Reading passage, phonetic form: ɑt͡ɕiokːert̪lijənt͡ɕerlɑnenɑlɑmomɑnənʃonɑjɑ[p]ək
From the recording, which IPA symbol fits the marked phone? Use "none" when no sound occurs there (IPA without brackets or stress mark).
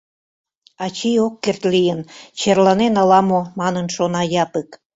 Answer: p